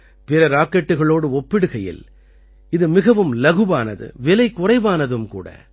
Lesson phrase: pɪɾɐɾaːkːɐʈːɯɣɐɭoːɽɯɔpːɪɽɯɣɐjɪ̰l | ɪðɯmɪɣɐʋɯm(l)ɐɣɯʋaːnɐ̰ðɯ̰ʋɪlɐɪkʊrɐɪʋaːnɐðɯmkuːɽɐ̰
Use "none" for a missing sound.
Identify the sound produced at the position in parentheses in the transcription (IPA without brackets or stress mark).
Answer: l